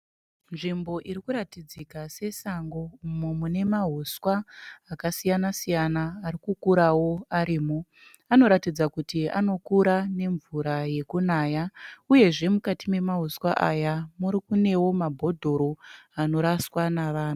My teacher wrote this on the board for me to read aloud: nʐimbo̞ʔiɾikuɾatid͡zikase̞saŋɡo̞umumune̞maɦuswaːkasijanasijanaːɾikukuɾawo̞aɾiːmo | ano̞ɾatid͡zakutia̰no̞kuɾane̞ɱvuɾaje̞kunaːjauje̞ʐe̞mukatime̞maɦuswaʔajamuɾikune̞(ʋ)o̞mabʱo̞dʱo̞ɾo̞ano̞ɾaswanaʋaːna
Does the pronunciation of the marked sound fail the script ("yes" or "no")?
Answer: yes